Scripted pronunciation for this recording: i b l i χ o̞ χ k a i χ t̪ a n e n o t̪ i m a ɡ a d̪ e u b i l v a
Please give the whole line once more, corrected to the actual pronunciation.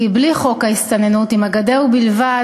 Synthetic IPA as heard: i b l i χ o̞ k a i s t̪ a n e n u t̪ i m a ɡ a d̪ e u b i l v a

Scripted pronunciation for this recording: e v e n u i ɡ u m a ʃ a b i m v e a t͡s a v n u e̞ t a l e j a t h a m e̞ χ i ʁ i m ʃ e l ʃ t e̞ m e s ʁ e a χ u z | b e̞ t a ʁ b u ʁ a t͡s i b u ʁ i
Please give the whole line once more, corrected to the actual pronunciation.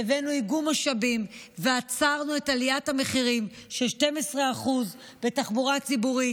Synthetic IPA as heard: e v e n u i ɡ u m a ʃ a b i m v e a t͡s a ʁ n u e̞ t a l i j a t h a m e̞ χ i ʁ i m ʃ e l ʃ t e̞ m e s ʁ e a χ u z | b e̞ t a χ b u ʁ a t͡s i b u ʁ i

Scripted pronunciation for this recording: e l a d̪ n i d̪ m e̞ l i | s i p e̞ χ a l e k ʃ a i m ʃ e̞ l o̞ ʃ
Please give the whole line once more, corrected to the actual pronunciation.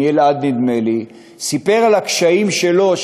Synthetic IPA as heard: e l a d̪ n i d̪ m e̞ l i | s i p e̞ ʁ a l a k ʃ a i m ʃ e̞ l o̞ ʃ

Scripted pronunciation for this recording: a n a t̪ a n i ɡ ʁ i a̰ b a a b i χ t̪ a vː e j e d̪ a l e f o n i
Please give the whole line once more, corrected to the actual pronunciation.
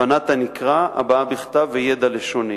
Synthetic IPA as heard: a n a t̪ a n i k ʁ a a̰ b a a b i χ t̪ a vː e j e d̪ a l e ʃ o n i

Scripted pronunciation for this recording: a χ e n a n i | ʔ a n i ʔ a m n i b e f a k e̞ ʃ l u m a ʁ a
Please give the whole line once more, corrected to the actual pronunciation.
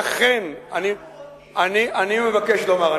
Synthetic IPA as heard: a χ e n a n i | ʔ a n i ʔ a n i m e v a k e̞ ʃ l o m a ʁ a

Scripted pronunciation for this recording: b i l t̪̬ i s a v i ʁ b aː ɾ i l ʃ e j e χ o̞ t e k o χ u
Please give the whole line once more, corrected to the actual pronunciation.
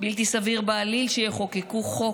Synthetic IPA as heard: b i l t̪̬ i s a v i ʁ b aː l i l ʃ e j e χ o̞ k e k u χ o

